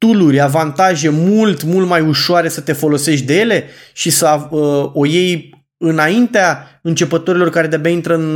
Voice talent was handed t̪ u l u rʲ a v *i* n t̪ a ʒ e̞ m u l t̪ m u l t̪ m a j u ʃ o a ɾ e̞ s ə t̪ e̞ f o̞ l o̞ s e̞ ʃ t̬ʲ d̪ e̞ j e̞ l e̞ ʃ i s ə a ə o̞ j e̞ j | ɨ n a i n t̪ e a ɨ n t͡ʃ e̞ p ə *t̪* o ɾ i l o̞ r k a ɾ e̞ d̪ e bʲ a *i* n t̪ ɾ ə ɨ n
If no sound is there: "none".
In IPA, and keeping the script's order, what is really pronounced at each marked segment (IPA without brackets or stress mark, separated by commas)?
a, t̪, i